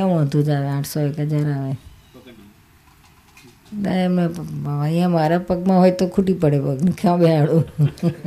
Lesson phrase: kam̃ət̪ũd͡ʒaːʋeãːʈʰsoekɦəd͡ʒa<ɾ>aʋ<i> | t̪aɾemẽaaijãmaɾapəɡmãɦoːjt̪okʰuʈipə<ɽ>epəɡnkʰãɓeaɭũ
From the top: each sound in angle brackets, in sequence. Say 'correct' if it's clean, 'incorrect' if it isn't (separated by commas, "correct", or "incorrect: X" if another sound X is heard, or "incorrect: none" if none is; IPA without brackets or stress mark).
correct, incorrect: e, correct